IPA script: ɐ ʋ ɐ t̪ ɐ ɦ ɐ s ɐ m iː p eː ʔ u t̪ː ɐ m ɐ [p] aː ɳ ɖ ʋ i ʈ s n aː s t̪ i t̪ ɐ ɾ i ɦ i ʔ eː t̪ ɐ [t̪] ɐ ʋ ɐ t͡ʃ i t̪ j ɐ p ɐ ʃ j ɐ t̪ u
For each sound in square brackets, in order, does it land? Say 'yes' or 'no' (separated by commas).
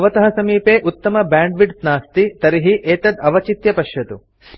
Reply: no, no